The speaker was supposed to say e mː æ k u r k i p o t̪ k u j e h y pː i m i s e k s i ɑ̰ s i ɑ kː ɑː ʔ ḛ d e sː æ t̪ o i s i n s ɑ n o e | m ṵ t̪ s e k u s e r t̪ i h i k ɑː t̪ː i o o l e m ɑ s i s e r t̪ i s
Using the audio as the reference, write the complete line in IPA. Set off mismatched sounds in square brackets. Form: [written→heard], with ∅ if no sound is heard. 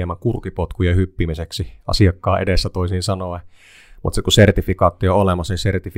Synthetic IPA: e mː æ k u r k i p o t̪ k u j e h y pː i m i s e k s i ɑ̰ s i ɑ kː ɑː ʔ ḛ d e sː æ t̪ o i s i n s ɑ n o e | m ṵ t̪ s e k u s e r t̪ i [h→f] i k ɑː t̪ː i o o l e m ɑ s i s e r t̪ i [s→f]